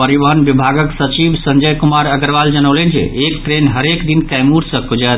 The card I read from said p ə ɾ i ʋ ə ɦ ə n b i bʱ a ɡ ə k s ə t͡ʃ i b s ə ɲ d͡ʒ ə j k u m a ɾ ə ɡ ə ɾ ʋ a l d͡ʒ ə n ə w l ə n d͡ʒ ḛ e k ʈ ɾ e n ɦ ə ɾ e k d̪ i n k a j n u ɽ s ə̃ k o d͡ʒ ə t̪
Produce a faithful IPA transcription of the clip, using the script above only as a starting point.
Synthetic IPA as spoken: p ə ɾ i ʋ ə ɦ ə n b i bʱ a ɡ ə k s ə t͡ʃ i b s ə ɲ d͡ʒ ə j k u m a ɾ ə ɡ ə ɾ ʋ a l d͡ʒ ə n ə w l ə n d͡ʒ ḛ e k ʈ ɾ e n ɦ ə ɾ e k d̪ i n k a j m u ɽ s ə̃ k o d͡ʒ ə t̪